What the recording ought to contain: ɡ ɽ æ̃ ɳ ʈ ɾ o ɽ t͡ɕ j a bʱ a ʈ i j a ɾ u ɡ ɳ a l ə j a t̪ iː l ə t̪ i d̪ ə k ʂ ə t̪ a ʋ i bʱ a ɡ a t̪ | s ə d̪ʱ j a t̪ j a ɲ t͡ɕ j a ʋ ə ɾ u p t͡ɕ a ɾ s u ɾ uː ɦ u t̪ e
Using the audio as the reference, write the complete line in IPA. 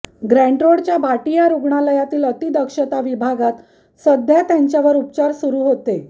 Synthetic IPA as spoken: ɡ ɾ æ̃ ɳ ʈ ɾ o ɽ t͡ɕ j a bʱ a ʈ i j a ɾ u ɡ ɳ a l ə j a t̪ iː l ə t̪ i d̪ ə k ʂ ə t̪ a ʋ i bʱ a ɡ a t̪ | s ə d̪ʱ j a t̪ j a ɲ t͡ɕ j a ʋ ə ɾ u p t͡ɕ a ɾ s u ɾ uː ɦ o t̪ e